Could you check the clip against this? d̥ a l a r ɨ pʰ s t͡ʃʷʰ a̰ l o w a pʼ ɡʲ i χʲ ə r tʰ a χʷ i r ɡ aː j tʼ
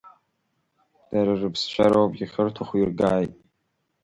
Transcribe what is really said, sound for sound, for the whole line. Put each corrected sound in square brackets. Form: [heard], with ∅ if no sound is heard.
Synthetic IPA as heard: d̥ a [ɾ] a r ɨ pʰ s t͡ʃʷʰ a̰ [ɾ] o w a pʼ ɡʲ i χʲ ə r tʰ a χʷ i r ɡ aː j tʼ